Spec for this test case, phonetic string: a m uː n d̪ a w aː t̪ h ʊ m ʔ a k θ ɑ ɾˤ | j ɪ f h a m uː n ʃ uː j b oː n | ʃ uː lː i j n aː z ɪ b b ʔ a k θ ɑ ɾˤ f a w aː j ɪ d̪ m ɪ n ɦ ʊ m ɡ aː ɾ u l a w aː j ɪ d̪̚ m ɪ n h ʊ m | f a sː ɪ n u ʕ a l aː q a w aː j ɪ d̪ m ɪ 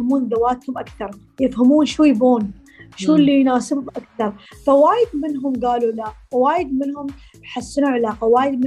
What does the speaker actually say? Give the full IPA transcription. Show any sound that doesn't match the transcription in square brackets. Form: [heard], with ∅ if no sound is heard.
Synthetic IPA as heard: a m uː n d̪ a w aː t̪ h ʊ m ʔ a k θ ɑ ɾˤ | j ɪ f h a m uː n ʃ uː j b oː n | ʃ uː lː i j n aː [s] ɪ b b ʔ a k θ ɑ ɾˤ f a w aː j ɪ d̪ m ɪ n ɦ ʊ m ɡ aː [l] u l a w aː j ɪ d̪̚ m ɪ n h ʊ m | [ħ] a sː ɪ n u ʕ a l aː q a w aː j ɪ d̪ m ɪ